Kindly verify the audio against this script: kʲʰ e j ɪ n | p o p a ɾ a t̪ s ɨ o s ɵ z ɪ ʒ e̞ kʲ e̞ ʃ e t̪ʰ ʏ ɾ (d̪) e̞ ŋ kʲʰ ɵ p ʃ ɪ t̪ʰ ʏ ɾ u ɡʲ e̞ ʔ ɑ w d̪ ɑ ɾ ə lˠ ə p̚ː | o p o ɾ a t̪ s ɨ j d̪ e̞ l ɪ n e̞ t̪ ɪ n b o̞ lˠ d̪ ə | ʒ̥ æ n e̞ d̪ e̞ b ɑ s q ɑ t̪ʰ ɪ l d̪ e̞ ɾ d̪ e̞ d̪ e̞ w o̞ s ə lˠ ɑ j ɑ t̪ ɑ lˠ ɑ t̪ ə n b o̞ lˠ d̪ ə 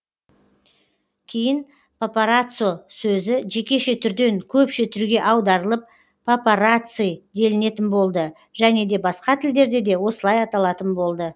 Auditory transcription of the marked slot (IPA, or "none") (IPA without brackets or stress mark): d̪